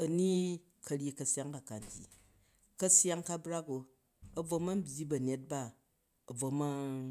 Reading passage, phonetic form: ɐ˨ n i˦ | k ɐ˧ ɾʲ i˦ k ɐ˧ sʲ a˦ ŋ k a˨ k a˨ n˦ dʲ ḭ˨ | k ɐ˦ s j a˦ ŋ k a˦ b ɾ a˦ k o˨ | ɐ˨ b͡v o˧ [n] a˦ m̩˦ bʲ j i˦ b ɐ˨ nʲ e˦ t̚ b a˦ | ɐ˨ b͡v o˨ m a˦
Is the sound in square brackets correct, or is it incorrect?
incorrect